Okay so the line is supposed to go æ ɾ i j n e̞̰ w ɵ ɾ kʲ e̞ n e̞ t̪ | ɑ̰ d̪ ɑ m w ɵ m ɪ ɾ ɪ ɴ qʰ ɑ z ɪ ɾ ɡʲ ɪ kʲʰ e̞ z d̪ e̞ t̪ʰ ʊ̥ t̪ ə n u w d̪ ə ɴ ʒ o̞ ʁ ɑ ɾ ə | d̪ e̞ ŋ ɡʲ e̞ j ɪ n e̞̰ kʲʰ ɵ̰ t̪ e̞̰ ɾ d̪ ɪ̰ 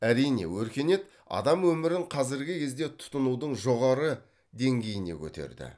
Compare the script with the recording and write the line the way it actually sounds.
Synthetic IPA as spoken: æ ɾ i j n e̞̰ w ɵ ɾ kʲ e̞ n e̞ t̪ | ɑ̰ d̪ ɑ m w ɵ m ɪ ɾ ɪ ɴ qʰ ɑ z ɪ ɾ ɡʲ ɪ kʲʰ e̞ z d̪ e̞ t̪ʰ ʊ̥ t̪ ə n u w d̪ ə ɴ ʒ o̞ ʁ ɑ ɾ ə | d̪ e̞ ŋ ɡʲ e̞ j ɪ n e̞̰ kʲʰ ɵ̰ t̪ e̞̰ ɾ d̪ ɪ̰